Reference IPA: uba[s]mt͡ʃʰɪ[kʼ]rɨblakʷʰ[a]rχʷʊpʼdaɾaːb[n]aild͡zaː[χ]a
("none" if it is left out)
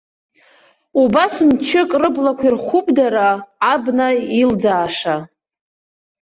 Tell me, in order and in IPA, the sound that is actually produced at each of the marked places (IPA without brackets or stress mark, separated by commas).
s, kʼ, i, n, ʂ